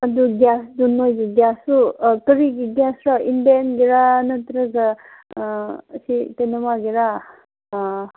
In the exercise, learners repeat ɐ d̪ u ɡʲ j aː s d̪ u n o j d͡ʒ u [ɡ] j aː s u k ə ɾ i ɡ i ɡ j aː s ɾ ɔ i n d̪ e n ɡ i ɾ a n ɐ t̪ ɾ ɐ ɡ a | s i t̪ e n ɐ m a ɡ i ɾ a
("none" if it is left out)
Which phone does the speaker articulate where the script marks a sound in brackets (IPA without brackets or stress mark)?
ɡ